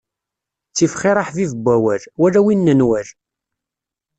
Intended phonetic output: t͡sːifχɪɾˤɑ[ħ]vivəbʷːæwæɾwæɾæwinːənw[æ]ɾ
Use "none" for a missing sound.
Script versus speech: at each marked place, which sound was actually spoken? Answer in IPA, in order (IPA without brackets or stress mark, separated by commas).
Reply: ħ, æ